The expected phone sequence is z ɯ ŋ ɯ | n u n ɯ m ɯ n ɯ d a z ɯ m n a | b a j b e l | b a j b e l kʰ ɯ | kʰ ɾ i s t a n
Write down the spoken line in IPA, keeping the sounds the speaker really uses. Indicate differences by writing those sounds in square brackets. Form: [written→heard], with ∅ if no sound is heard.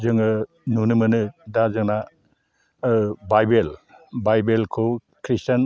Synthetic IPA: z ɯ ŋ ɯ | n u n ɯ m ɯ n ɯ d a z ɯ [m→ŋ] n a | b a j b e l | b a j b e l kʰ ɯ | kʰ ɾ i s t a n